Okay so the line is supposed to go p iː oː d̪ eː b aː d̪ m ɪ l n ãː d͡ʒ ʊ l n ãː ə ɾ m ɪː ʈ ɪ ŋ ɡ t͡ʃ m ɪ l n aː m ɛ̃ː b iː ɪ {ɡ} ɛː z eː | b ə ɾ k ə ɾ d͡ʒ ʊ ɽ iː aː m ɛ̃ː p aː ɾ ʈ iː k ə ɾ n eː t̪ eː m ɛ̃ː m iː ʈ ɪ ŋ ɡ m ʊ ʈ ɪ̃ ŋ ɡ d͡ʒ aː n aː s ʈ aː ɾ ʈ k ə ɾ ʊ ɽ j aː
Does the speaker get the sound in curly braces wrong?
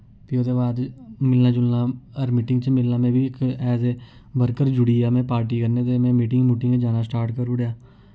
yes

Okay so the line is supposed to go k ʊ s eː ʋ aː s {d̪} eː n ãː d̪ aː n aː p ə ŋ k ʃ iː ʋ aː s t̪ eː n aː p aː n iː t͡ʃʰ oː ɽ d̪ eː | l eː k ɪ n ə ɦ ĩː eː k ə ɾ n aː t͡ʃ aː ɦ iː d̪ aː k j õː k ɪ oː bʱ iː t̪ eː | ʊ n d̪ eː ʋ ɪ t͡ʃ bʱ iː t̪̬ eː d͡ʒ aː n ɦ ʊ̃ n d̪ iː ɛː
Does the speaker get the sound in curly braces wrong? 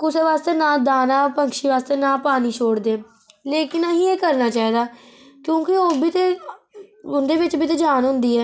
yes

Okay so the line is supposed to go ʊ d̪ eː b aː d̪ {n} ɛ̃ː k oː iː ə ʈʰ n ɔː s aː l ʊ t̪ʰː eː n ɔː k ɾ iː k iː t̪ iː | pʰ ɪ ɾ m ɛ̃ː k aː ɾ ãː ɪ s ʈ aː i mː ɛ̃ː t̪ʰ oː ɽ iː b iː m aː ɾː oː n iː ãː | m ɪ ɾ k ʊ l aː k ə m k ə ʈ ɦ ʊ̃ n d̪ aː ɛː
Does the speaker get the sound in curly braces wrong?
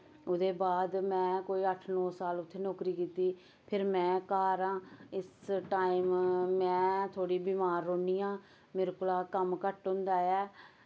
yes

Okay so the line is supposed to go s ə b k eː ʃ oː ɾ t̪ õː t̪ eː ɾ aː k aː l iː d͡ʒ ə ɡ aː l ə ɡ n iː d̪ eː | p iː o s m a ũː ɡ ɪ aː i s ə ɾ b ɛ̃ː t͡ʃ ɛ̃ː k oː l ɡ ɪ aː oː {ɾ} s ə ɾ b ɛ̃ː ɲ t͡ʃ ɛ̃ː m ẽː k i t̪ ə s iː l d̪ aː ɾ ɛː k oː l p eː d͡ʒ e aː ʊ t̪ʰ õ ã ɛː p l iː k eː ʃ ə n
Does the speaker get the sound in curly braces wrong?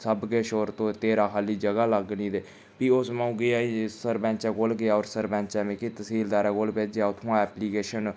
no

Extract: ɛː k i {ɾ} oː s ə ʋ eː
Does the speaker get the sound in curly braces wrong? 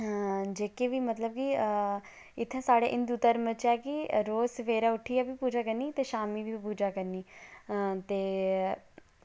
no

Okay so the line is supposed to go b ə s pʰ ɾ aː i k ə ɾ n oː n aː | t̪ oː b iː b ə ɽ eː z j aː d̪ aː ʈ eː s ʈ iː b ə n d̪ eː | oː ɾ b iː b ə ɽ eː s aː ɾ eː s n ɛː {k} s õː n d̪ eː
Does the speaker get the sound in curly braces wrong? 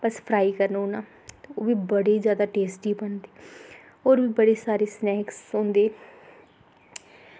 no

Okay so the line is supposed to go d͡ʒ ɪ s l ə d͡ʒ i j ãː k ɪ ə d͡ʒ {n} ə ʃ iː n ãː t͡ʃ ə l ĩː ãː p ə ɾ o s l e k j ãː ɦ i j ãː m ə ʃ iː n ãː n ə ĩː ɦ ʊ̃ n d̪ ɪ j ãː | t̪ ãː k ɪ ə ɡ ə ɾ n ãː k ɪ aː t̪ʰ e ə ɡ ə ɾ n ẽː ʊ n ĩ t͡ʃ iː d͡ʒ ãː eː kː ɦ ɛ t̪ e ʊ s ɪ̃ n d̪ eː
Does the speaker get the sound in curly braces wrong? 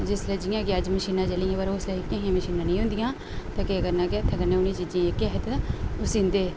yes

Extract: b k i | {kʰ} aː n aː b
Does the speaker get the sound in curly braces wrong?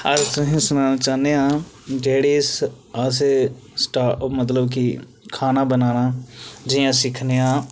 no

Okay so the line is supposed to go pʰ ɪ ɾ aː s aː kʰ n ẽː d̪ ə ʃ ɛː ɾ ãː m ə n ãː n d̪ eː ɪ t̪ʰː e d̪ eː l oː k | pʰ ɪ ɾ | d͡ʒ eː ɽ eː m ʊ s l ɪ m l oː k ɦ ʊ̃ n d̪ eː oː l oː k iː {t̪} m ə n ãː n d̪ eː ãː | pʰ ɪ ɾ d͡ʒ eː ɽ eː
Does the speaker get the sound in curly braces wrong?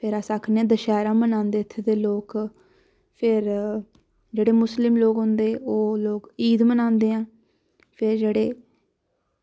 yes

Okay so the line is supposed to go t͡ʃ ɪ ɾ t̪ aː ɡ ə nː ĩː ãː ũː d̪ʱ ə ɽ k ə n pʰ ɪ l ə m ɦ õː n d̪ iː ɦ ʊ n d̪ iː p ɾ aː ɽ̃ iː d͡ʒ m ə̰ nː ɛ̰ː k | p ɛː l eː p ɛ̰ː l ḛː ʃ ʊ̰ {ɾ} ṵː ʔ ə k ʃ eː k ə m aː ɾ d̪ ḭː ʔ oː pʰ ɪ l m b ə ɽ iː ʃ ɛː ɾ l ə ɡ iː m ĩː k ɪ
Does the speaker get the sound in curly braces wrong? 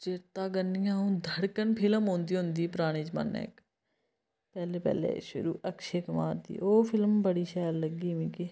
no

